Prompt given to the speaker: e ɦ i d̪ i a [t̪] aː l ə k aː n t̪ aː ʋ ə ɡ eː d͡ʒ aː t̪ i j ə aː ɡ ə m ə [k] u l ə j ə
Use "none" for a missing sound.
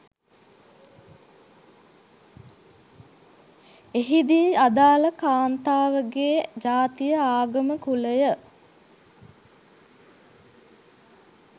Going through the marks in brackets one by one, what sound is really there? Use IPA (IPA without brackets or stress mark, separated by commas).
d̪, k